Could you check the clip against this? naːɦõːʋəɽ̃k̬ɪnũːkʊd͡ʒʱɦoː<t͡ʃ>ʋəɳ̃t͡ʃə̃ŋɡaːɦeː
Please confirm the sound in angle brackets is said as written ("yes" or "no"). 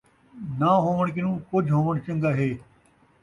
no